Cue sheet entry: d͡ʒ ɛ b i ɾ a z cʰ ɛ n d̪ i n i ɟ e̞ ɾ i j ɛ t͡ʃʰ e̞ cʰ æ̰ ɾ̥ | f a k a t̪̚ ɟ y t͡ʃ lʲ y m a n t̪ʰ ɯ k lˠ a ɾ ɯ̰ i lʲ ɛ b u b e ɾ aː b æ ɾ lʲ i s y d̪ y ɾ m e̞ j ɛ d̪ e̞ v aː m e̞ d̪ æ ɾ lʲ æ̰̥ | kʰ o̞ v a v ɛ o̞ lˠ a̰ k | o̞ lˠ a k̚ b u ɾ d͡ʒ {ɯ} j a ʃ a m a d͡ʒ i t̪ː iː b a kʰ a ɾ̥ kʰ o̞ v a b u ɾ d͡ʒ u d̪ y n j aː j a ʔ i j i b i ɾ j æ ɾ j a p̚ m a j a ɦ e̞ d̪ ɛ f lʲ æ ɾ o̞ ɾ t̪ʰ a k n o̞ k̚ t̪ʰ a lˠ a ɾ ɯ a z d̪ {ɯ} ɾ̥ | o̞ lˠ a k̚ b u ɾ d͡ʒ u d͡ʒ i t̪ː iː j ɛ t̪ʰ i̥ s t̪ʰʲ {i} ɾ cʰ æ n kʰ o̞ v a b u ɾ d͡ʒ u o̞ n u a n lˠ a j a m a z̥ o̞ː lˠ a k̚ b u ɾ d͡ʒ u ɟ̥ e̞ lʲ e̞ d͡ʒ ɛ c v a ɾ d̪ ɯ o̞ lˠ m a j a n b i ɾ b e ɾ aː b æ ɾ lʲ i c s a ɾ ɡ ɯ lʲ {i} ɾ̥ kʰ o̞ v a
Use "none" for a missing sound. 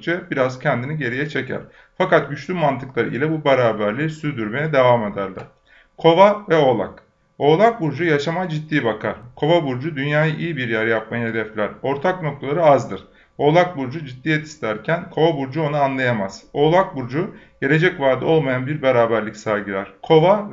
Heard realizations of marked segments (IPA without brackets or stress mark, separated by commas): u, ɯ, æ, æ